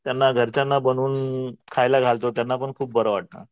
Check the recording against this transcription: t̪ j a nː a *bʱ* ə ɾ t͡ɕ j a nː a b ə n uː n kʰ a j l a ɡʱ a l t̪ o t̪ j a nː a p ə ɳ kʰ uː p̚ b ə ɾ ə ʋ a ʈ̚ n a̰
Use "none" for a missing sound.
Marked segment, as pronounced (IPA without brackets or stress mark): ɡʱ